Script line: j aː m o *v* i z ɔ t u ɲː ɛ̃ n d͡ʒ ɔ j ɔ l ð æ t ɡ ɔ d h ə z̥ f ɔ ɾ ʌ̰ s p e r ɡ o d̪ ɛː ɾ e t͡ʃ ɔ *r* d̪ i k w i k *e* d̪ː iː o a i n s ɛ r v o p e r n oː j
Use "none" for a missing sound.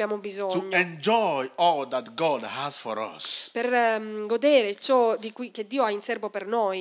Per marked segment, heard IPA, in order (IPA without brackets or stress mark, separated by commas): b, none, e